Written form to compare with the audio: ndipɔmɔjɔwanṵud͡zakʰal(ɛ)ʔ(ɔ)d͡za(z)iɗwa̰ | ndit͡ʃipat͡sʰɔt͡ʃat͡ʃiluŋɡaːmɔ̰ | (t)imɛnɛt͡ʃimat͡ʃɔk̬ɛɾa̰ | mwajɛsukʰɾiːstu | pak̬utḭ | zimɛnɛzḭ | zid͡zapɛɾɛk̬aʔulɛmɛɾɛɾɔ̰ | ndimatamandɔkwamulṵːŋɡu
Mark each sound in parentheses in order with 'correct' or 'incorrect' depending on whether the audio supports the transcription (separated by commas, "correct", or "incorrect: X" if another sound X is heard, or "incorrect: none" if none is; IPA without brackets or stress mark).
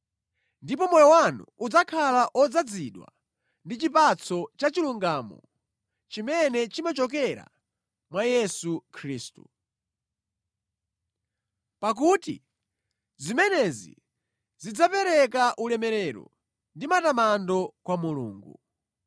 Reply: incorrect: a, correct, incorrect: d͡z, incorrect: t͡ʃ